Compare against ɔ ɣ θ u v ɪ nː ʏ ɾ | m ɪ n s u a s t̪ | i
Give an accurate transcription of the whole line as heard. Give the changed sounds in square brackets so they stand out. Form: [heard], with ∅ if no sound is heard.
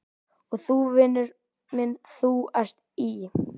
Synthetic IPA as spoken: ɔ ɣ θ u v ɪ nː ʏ ɾ | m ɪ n [θ] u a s t̪ | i

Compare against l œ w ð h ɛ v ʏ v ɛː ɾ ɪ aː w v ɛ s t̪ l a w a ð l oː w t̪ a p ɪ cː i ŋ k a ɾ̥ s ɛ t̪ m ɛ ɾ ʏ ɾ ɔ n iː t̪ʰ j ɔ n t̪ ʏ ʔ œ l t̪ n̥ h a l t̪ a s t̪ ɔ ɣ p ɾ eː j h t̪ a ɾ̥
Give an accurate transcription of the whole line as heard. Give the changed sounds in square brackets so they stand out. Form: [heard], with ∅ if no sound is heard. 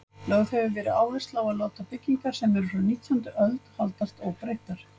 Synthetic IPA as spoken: l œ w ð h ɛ v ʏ v ɛː ɾ ɪ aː w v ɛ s t̪ l a w a ð l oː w t̪ a p ɪ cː i ŋ k a ɾ̥ s ɛ [∅] m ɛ ɾ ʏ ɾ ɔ n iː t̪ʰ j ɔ n t̪ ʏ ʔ œ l t̪ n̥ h a l t̪ a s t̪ ɔ ɣ p ɾ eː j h t̪ a ɾ̥

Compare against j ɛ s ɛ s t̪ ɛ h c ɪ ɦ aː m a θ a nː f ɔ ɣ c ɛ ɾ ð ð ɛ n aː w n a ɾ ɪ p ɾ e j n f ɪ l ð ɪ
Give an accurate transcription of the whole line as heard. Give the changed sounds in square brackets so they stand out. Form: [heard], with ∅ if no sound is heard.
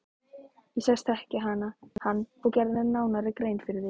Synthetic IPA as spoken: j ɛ s ɛ s t̪ ɛ h c ɪ ɦ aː [n] a [h] a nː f ɔ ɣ c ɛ ɾ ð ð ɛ n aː w n a ɾ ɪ [k] ɾ e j n f ɪ [ɾ] ð ɪ

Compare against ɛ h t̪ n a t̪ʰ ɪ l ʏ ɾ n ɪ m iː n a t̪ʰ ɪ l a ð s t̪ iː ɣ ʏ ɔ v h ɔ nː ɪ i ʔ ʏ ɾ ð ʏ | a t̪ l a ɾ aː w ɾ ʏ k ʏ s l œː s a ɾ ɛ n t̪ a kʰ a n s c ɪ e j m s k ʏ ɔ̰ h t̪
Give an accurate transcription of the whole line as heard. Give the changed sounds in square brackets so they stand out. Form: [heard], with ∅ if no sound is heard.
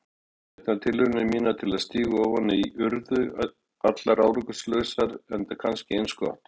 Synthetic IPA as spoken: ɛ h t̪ n a t̪ʰ ɪ l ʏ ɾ n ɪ m iː n a t̪ʰ ɪ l a ð s t̪ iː ɣ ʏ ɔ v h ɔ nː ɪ i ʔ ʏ ɾ ð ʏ | a t̪ l a ɾ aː w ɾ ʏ k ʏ s l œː s a ɾ ɛ n t̪ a kʰ a n s c ɪ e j [n] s k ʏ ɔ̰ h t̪

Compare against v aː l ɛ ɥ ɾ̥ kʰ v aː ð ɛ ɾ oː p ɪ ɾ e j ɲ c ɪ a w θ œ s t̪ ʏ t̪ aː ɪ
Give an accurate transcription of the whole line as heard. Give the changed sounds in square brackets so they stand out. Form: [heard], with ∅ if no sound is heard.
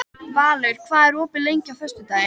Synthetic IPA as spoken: v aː l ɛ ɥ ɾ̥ kʰ v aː ð ɛ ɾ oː p ɪ [l] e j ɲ c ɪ a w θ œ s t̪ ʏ t̪ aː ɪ

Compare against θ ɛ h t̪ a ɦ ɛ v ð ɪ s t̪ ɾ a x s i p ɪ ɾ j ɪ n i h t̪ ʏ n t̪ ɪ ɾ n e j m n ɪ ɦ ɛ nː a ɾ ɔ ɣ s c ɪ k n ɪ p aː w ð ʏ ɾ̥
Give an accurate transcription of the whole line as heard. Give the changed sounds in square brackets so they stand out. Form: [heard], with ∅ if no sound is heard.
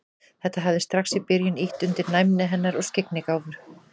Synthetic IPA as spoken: θ ɛ h t̪ a ɦ [a] v ð ɪ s t̪ ɾ a x s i p ɪ ɾ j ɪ n i h t̪ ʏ n t̪ ɪ ɾ n [a] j m n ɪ ɦ ɛ nː a ɾ ɔ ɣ s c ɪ k n ɪ [k] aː w [v] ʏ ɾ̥

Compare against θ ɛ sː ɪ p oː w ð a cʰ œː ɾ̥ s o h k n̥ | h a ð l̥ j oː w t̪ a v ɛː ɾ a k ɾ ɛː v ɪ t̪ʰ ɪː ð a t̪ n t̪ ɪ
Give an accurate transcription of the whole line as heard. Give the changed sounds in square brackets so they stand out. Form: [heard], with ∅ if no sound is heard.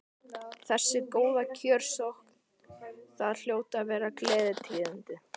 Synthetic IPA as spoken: θ ɛ sː ɪ [k] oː w ð a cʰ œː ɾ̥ s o h k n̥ | [θ] a ð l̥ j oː w t̪ a v ɛː ɾ a k [l] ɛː [ð] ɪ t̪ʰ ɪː ð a [∅] n t̪ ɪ

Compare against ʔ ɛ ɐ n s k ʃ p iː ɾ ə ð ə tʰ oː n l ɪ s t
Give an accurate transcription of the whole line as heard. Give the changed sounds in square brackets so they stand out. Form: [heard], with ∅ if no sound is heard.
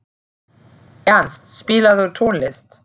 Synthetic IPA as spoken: ʔ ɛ ɐ n s [t] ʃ p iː [l] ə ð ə tʰ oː n l ɪ s t

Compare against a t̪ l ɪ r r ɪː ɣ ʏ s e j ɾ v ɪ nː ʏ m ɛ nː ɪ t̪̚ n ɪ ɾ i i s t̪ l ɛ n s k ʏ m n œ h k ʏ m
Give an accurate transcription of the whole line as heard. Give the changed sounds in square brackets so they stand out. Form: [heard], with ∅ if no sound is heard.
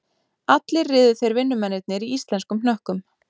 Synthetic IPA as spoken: a t̪ l ɪ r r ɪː [ð] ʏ [θ] e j ɾ v ɪ nː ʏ m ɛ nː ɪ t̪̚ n ɪ ɾ i i s t̪ l ɛ n s k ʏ m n œ h k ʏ m

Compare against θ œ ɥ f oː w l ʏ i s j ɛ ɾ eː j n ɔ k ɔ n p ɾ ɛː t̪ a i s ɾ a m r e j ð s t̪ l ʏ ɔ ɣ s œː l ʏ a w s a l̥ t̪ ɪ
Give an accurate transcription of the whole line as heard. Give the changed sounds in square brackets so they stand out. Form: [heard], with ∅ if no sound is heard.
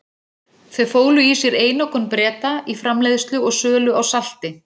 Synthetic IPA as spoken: θ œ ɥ f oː w l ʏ i s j ɛ ɾ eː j n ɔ k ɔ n p ɾ ɛː t̪ a i [f] ɾ a m [l] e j ð s t̪ l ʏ ɔ ɣ s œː l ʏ a w s a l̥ t̪ ɪ

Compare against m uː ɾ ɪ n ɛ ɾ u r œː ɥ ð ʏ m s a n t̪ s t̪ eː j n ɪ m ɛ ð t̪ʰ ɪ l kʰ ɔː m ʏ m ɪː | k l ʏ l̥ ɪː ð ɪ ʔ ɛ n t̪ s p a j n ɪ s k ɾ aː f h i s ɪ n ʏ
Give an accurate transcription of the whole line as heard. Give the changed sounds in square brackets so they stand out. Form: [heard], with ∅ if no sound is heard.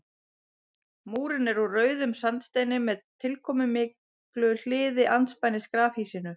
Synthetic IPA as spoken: m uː ɾ ɪ n ɛ ɾ u r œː ɥ ð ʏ m s a n t̪ s t̪ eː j n ɪ m ɛ ð t̪ʰ ɪ l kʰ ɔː m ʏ m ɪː | k l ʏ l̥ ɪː ð ɪ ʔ [a] n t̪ s p a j n ɪ s k ɾ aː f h i s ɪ n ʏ

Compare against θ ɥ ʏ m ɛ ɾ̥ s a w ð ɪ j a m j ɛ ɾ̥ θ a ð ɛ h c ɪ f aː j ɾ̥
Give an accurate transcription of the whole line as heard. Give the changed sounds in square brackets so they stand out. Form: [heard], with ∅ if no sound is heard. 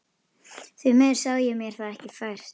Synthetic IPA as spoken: θ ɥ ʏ m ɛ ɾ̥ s a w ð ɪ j [ɛ] m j ɛ ɾ̥ θ a ð ɛ h c ɪ f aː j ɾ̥

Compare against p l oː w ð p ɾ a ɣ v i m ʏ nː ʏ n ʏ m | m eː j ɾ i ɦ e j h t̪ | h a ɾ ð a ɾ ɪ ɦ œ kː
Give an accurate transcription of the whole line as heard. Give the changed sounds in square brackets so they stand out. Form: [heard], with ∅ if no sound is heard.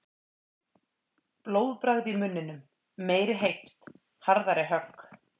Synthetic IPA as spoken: p l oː w ð p ɾ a ɣ [ð] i m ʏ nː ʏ n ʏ m | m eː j ɾ [ɪ] ɦ e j h t̪ | h a ɾ ð a ɾ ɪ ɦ œ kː

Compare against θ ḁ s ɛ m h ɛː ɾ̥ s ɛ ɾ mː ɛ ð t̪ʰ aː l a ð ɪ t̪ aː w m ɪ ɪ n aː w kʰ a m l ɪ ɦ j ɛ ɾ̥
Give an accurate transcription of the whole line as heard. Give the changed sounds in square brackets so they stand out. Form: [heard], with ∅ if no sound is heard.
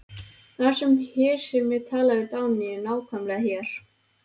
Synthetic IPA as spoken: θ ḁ s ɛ m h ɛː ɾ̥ s ɛ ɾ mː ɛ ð t̪ʰ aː l a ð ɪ t̪ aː w [n] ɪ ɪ n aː w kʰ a m l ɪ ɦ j ɛ ɾ̥

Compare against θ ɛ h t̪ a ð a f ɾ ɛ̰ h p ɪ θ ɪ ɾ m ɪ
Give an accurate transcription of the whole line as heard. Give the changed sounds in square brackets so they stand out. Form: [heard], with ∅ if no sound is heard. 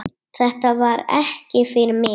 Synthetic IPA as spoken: θ ɛ h t̪ a [v] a [∅] ɾ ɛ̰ h [c] ɪ [f] ɪ ɾ m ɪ

